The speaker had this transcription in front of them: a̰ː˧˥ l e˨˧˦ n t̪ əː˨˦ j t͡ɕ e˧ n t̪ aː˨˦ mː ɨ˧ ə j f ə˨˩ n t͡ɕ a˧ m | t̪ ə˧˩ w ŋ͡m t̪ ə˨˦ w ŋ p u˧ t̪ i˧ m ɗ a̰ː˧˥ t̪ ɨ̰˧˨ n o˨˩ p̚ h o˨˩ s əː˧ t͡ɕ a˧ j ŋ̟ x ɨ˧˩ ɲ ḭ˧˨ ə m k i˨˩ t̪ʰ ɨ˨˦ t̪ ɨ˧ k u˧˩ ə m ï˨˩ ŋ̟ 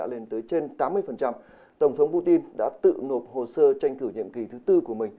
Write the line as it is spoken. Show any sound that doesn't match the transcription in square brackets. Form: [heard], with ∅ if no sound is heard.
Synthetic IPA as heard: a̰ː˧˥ l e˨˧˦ n t̪ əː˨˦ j t͡ɕ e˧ n t̪ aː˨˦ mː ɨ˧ ə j f ə˨˩ n t͡ɕ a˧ m | t̪ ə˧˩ w ŋ͡m [t̪ʰ] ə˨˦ w [ŋ͡m] p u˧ t̪ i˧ [n] ɗ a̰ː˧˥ t̪ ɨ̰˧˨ n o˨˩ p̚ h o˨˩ s əː˧ t͡ɕ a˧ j ŋ̟ [k] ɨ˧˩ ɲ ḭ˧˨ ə m k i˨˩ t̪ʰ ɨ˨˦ t̪ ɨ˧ k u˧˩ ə m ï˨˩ ŋ̟

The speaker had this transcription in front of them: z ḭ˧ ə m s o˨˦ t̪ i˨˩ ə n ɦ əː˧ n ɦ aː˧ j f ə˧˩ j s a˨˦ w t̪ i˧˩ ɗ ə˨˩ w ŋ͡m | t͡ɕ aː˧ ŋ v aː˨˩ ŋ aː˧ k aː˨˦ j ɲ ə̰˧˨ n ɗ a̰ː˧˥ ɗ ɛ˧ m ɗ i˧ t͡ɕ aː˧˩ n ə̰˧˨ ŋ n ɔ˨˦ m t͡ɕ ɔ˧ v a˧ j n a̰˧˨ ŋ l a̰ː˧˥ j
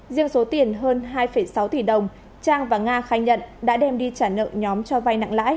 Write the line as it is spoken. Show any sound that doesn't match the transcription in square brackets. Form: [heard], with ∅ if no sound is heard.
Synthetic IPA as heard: z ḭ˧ ə [ŋ] s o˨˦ t̪ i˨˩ ə n ɦ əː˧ n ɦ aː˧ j f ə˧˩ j s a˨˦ w t̪ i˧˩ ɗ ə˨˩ w ŋ͡m | t͡ɕ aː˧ ŋ v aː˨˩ ŋ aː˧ [x] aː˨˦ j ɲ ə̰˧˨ n ɗ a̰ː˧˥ ɗ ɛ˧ m ɗ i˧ t͡ɕ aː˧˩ n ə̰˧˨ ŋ [ɲ] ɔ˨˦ m t͡ɕ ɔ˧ v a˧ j n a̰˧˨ ŋ l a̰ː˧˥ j

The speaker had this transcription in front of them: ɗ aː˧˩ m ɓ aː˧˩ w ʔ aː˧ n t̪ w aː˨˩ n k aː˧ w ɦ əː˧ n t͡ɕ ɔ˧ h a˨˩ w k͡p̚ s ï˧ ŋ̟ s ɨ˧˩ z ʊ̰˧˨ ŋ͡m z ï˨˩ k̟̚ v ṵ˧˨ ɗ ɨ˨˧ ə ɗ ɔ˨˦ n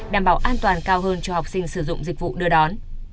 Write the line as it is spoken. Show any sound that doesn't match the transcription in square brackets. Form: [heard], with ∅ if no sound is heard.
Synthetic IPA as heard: ɗ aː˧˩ m ɓ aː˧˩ w ʔ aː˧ n t̪ w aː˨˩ n k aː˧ w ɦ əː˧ n t͡ɕ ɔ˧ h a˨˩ w k͡p̚ s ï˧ ŋ̟ s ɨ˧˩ z ʊ̰˧˨ ŋ͡m z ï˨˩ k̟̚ v ṵ˧˨ ɗ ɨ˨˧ ə ɗ ɔ˨˦ n

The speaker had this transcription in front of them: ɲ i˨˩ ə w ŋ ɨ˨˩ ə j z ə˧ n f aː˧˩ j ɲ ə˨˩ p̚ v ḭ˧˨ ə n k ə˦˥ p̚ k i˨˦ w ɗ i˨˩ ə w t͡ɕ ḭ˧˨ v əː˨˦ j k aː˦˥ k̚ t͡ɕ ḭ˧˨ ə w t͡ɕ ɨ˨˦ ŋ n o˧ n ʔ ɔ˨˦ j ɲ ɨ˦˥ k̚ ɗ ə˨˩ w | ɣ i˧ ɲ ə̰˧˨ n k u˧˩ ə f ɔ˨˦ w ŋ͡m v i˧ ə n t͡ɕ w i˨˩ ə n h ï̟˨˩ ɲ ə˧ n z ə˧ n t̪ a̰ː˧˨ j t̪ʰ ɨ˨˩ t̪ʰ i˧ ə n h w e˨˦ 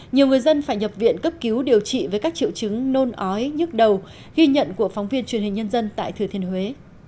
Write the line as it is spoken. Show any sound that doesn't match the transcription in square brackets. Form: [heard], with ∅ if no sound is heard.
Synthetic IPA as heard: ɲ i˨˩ ə w ŋ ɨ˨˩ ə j z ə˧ n f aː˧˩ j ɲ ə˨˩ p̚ v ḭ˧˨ ə n k ə˦˥ p̚ k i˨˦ w ɗ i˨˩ ə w t͡ɕ ḭ˧˨ v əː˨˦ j k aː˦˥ k̚ t͡ɕ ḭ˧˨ ə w t͡ɕ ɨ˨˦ ŋ n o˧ n ʔ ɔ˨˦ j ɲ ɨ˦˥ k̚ ɗ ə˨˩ w | ɣ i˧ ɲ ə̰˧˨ n k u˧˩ ə f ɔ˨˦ w ŋ͡m v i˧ ə n t͡ɕ w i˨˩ ə n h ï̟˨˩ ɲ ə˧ n z ə˧ n t̪ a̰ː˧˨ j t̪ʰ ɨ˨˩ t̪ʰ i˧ ə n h w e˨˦

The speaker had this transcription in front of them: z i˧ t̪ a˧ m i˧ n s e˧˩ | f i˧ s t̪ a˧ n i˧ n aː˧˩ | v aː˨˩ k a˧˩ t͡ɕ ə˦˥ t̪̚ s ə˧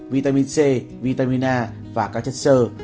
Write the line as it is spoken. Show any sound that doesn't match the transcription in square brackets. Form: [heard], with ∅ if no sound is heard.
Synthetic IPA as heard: [v] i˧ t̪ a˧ m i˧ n s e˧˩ | [v] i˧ [∅] t̪ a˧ [m] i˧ n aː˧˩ | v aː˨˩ k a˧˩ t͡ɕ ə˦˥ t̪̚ s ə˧

